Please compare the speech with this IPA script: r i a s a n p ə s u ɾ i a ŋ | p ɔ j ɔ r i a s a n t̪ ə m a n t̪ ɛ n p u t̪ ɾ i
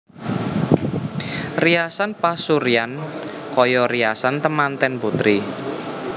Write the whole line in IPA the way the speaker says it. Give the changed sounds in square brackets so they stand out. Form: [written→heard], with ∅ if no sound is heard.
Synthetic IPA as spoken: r i a s a n p [ə→a] s u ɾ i a [ŋ→n] | [p→k] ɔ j ɔ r i a s a n t̪ ə m a n t̪ ɛ n p u t̪ ɾ i